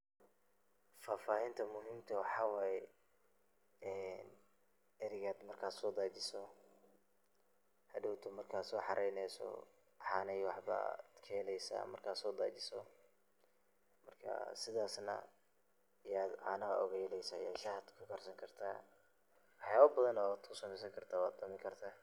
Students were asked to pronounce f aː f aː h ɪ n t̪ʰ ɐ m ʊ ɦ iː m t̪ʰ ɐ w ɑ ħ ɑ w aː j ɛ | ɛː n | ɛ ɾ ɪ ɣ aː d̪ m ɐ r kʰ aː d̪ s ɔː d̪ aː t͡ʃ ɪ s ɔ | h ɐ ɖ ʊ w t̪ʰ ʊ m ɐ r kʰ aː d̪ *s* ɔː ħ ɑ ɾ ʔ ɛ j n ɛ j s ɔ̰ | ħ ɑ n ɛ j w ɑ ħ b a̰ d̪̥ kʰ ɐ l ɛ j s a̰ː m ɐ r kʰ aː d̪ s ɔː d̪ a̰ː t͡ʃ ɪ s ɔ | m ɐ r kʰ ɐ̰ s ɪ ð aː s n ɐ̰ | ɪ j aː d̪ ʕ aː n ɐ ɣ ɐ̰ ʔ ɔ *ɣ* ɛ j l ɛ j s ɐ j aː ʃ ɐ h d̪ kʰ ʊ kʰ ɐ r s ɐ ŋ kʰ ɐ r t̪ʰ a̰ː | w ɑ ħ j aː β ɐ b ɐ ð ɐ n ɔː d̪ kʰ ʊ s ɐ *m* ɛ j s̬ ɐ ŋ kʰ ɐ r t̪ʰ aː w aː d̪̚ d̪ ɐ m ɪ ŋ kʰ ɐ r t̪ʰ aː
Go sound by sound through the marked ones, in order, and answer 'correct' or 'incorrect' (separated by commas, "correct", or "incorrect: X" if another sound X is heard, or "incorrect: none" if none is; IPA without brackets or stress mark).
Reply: correct, correct, correct